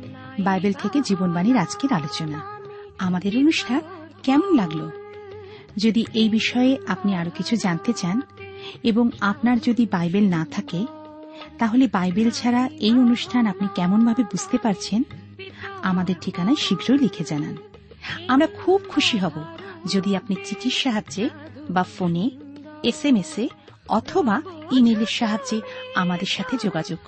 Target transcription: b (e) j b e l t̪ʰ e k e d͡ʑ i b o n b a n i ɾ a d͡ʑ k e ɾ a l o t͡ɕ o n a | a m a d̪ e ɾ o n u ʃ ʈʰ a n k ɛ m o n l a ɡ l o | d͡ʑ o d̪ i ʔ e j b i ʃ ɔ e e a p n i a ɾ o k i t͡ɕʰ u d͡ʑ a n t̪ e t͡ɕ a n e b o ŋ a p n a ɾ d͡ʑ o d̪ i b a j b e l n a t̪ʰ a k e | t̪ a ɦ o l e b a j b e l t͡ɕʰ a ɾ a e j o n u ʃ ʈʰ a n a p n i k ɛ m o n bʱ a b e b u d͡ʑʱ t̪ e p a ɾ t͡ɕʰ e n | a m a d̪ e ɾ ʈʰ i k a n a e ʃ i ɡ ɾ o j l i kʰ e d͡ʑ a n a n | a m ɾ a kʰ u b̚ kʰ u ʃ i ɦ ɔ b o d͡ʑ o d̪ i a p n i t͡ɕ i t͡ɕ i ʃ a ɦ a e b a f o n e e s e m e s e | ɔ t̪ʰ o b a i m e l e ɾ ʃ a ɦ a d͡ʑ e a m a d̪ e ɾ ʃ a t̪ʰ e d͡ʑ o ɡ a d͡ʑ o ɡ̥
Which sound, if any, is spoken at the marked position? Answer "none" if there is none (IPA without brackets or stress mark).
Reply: a